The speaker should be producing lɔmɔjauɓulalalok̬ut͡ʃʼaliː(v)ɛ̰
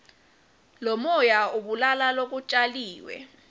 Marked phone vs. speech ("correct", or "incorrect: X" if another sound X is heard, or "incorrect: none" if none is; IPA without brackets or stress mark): incorrect: w